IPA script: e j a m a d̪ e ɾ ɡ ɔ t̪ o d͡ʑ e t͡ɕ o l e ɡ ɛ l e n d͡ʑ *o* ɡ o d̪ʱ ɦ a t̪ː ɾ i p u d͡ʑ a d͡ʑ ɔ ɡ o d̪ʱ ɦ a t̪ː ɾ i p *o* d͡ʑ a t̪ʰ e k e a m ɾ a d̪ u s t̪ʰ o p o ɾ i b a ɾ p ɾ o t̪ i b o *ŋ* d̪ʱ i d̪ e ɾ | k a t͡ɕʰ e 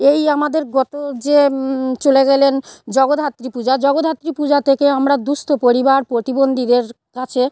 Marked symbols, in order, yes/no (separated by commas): no, no, no